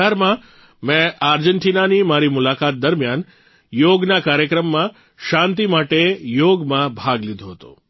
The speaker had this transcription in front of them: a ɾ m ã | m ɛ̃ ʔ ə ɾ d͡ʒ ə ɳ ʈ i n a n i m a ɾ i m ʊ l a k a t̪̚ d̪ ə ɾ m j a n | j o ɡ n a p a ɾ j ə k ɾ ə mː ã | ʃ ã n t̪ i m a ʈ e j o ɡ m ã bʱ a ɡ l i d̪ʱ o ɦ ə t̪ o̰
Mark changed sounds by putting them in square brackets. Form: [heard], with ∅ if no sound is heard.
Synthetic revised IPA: a ɾ m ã | m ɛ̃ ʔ [a] ɾ d͡ʒ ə ɳ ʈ i n a n i m a ɾ i m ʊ l a k a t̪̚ d̪ ə ɾ m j a n | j o ɡ n a [k] a ɾ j ə k ɾ ə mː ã | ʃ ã n t̪ i m a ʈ e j o ɡ m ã bʱ a ɡ l i d̪ʱ o ɦ ə t̪ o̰

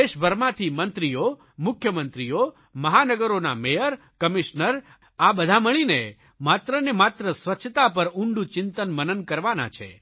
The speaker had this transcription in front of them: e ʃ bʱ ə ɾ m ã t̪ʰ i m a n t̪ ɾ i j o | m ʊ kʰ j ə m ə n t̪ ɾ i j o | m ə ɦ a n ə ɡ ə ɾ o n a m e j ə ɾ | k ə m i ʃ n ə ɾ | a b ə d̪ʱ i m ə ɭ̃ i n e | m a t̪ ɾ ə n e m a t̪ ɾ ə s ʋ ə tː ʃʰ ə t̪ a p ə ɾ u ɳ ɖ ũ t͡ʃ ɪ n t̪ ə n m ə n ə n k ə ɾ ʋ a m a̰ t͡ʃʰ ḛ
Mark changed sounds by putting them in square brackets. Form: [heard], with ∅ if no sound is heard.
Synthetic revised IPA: e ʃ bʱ ə ɾ m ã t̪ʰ i m [ə] n t̪ ɾ i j o | m ʊ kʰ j ə m ə n t̪ ɾ i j o | m ə ɦ a n ə ɡ ə ɾ o n a m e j ə ɾ | k ə m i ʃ n ə ɾ | a b ə d̪ʱ [a] m ə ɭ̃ i n e | m a t̪ ɾ ə n e m a t̪ ɾ ə s ʋ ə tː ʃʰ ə t̪ a p ə ɾ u ɳ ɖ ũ t͡ʃ ɪ n t̪ ə n m ə n ə n k ə ɾ ʋ a [n] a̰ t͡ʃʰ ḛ

